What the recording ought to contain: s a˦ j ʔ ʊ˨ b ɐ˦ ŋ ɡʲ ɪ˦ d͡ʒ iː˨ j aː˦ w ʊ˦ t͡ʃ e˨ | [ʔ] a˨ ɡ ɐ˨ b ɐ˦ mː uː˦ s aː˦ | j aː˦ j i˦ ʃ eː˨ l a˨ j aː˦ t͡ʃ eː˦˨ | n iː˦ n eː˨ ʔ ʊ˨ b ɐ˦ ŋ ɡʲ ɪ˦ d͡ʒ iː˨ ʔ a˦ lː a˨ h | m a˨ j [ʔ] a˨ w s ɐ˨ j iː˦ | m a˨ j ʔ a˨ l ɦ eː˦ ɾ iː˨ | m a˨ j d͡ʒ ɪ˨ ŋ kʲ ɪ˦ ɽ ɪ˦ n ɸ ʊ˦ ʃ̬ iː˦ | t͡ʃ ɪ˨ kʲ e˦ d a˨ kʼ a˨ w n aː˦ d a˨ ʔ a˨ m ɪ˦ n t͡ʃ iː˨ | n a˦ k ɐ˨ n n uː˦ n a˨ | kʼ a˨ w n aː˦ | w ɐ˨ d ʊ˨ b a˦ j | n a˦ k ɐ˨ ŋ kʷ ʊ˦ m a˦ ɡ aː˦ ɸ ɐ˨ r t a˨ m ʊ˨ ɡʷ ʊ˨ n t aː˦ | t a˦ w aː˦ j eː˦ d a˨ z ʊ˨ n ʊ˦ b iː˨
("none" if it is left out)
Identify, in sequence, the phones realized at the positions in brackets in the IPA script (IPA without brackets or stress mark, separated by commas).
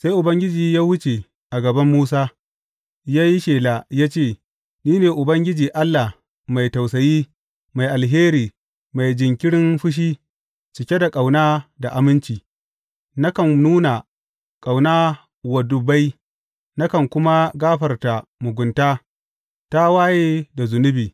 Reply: ʔ, t